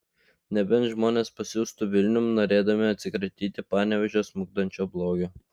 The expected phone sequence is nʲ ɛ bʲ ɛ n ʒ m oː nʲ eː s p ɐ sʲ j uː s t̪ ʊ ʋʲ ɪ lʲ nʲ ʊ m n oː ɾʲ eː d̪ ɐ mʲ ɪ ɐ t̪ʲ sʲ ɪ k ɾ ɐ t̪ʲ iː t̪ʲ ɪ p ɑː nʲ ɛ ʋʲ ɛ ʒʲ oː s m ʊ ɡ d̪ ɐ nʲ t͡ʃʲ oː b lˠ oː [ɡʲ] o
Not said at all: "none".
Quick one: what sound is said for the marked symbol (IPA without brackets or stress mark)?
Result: ɡʲ